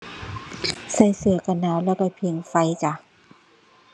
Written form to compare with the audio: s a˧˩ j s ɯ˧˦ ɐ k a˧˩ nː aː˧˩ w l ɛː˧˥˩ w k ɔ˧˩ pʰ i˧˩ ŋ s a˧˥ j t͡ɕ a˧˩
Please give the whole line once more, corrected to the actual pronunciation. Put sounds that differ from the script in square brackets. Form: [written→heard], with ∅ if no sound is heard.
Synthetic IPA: s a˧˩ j s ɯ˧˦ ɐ k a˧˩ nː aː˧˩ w l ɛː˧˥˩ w k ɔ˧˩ pʰ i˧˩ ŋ [s→f] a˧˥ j t͡ɕ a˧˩